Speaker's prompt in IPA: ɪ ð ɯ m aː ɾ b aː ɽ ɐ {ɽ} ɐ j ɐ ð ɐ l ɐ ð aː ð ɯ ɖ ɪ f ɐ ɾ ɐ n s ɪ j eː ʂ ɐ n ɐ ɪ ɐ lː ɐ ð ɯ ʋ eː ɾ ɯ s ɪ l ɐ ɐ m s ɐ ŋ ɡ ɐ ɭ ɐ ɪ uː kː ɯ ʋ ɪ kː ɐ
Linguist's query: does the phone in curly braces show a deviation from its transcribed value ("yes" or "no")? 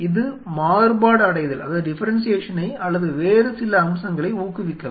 no